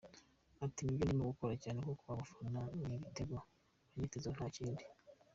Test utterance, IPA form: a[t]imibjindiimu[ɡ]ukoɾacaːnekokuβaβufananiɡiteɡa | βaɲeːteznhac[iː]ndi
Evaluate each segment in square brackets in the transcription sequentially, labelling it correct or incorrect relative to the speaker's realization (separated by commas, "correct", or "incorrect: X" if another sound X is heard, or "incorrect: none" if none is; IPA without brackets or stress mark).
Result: correct, correct, correct